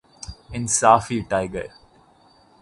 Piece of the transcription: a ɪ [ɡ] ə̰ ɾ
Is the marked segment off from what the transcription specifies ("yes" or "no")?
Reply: no